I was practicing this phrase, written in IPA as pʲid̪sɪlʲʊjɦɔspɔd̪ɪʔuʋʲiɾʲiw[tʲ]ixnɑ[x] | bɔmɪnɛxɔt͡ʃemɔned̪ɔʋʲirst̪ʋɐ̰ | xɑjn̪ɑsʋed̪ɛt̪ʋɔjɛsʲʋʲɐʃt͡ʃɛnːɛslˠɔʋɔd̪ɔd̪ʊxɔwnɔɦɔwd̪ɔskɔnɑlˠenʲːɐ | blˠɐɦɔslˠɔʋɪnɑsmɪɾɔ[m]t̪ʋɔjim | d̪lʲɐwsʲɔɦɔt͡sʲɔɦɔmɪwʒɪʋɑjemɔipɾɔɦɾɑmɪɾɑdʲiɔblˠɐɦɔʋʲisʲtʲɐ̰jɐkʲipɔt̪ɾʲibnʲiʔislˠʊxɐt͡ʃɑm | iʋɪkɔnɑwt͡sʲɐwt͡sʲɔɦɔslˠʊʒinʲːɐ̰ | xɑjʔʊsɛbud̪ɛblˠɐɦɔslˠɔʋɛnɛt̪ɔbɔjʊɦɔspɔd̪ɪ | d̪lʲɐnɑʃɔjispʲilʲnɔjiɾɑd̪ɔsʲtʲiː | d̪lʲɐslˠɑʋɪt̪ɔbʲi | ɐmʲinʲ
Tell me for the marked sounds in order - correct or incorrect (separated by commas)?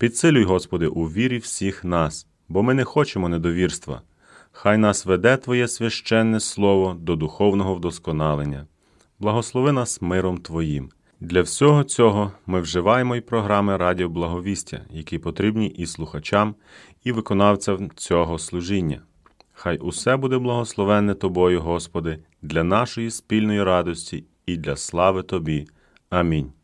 incorrect, incorrect, correct